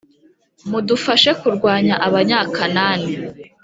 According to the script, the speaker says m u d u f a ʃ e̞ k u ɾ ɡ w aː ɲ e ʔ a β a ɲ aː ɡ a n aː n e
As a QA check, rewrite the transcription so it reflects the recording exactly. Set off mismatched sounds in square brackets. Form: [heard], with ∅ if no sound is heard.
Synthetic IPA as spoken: m u d u f a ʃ e̞ k u ɾ ɡ w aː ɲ [a] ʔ a β a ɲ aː [k] a n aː n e